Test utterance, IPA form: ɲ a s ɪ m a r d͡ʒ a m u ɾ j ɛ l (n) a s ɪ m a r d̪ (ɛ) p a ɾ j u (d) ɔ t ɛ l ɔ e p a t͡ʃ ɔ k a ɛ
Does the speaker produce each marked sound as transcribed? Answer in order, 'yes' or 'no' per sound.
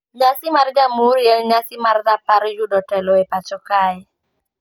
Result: no, no, yes

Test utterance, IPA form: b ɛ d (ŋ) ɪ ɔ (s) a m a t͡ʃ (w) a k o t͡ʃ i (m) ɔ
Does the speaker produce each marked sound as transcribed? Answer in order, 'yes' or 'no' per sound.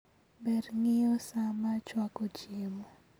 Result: yes, yes, yes, yes

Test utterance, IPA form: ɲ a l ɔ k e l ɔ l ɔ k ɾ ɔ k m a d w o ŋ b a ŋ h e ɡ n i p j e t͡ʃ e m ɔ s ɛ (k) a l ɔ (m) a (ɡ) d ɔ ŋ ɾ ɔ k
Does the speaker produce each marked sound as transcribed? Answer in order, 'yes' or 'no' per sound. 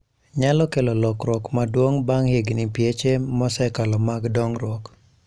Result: yes, yes, yes

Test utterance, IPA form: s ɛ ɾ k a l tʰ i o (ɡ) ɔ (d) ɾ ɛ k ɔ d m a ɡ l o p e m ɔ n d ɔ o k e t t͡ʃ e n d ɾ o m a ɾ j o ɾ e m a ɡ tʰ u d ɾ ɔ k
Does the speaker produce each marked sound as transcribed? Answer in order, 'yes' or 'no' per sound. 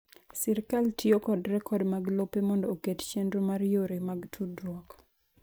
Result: no, yes

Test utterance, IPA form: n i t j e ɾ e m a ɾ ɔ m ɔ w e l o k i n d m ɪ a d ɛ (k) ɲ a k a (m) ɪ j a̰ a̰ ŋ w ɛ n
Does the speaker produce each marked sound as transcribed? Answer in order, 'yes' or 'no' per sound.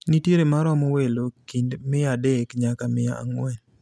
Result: yes, yes

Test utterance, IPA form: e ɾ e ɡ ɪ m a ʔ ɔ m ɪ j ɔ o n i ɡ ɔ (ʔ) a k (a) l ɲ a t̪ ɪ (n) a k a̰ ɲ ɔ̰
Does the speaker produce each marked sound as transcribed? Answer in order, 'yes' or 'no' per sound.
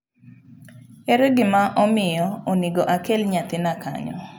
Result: yes, no, yes

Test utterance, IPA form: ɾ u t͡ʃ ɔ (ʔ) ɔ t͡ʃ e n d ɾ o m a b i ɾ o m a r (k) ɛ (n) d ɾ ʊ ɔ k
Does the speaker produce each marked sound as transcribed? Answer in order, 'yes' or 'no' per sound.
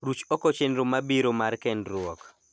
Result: no, yes, yes

